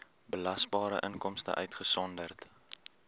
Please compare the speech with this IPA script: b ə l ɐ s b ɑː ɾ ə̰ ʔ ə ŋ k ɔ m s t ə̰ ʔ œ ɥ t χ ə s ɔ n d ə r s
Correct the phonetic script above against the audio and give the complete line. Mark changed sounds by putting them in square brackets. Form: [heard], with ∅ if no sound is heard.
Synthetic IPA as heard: b ə l ɐ s b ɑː ɾ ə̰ ʔ ə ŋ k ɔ m s t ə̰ ʔ œ ɥ t χ ə s ɔ n d ə r [t]